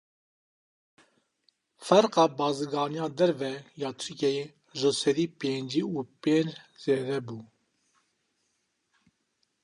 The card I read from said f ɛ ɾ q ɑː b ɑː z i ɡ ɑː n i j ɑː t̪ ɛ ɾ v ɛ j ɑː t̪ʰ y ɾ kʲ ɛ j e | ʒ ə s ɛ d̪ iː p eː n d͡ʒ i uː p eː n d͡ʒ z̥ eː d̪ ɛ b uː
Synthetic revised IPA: f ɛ ɾ q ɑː b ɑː z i ɡ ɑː n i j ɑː d̪ ɛ ɾ v ɛ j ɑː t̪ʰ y ɾ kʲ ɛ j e | ʒ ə s ɛ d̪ iː p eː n d͡ʒ i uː p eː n d͡ʒ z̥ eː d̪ ɛ b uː